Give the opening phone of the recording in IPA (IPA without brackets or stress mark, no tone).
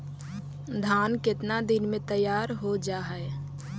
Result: d̪ʱ